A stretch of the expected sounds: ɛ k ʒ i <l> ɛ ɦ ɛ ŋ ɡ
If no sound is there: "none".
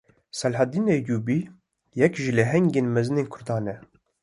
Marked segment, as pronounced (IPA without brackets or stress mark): l